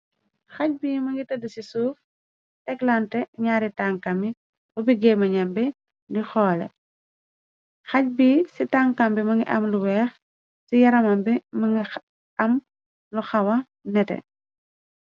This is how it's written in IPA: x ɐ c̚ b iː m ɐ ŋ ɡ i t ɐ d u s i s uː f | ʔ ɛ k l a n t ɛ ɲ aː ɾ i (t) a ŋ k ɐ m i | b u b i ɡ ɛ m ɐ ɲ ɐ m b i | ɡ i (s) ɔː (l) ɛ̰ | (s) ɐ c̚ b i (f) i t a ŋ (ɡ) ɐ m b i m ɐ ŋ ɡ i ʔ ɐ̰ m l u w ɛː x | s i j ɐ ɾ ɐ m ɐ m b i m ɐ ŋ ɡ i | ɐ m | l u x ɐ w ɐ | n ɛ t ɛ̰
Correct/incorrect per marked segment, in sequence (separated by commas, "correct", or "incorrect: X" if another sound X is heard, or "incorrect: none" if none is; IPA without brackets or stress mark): correct, incorrect: x, correct, incorrect: x, incorrect: s, incorrect: k